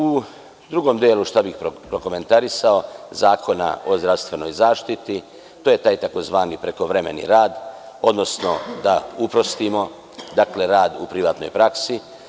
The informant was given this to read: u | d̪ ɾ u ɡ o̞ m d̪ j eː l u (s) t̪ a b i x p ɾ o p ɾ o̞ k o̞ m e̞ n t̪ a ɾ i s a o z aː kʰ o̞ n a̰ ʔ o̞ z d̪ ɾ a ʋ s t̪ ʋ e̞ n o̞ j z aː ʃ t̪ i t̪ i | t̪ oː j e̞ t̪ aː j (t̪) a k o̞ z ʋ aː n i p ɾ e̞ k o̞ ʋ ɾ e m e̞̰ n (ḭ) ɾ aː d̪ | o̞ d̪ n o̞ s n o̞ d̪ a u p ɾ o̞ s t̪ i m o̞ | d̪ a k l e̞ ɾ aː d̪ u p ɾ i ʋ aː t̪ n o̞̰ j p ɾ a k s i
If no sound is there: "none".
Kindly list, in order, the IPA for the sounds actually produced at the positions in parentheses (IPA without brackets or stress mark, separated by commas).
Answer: ʃ, t̪, ḭ